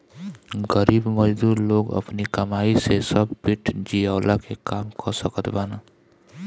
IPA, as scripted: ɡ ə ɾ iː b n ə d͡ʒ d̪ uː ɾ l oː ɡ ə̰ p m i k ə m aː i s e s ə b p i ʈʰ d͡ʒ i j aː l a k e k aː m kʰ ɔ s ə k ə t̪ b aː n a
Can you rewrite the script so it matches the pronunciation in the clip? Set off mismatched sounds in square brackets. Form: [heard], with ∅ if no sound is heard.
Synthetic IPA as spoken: ɡ ə ɾ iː b [m] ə d͡ʒ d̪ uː ɾ l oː ɡ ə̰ p [n] i k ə m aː i s e s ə b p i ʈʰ d͡ʒ i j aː l a k e k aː m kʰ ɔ s ə k ə t̪ b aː n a